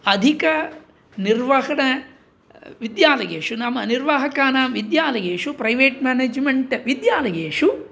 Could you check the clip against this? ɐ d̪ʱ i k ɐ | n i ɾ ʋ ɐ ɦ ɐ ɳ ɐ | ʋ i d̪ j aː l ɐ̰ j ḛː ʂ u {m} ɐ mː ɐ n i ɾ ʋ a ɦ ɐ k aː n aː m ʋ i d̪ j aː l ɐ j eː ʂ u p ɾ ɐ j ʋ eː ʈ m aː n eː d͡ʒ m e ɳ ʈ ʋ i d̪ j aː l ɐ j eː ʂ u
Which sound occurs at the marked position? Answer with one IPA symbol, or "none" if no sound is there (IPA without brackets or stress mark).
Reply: n